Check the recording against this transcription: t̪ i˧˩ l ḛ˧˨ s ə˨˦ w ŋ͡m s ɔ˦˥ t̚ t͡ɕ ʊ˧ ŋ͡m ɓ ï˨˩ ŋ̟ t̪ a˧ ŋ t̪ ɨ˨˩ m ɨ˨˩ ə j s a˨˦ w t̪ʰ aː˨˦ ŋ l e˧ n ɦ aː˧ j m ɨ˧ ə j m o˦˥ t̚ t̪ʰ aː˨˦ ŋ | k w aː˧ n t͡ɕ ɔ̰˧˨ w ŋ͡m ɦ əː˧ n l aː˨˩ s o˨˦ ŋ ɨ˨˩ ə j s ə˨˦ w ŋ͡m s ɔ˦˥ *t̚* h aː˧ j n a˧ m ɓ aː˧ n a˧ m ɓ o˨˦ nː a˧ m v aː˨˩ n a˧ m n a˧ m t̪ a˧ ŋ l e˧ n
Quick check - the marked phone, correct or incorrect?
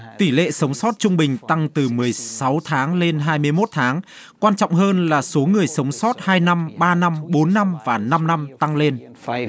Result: correct